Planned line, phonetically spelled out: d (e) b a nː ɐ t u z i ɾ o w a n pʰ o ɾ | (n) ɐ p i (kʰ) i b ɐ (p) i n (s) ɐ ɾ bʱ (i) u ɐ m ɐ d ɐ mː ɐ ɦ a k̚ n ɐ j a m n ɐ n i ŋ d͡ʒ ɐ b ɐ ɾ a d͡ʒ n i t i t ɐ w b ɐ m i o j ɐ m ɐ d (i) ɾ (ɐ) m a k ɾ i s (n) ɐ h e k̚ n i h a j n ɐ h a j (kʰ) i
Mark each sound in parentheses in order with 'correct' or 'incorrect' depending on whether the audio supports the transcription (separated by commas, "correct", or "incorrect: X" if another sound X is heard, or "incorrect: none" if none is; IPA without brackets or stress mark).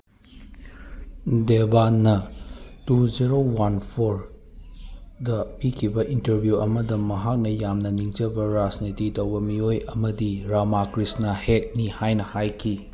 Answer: correct, incorrect: d, correct, incorrect: ʔ, incorrect: t, incorrect: j, correct, incorrect: a, correct, correct